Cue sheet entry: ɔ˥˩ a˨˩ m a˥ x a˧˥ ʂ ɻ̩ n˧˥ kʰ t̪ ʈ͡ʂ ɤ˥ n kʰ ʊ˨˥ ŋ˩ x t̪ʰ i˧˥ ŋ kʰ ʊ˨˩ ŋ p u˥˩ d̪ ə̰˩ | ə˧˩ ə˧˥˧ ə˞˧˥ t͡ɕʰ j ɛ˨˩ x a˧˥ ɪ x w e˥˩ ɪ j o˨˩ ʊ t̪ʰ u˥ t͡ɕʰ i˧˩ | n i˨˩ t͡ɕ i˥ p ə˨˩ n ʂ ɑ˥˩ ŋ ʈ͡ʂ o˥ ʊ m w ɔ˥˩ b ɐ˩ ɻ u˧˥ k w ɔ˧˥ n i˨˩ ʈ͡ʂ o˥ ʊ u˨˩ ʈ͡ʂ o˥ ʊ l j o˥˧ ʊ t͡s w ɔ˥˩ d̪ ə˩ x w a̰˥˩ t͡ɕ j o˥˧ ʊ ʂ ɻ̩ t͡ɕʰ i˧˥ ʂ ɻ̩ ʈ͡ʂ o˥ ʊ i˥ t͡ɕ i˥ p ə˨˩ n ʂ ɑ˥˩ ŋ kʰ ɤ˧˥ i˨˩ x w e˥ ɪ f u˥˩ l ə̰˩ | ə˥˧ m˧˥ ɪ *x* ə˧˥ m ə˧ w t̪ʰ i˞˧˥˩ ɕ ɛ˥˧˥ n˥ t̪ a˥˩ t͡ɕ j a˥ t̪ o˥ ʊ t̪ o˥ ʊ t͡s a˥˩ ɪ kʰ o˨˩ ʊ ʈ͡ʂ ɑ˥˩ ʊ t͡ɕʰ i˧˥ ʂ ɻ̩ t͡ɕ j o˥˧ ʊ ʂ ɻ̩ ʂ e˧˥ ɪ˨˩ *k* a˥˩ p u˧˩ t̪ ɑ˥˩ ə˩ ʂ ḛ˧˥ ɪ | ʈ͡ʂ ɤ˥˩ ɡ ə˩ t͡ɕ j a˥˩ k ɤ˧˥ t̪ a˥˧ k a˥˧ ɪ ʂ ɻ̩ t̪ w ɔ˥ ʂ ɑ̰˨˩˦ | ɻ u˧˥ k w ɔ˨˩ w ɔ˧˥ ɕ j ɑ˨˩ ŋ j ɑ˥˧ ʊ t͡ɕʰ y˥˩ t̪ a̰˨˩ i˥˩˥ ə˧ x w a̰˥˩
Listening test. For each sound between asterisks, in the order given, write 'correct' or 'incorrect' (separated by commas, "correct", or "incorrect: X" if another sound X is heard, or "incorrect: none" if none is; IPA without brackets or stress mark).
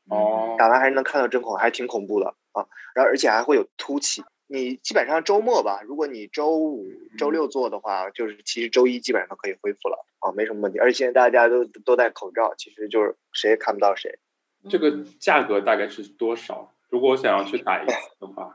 incorrect: ʂ, incorrect: kʰ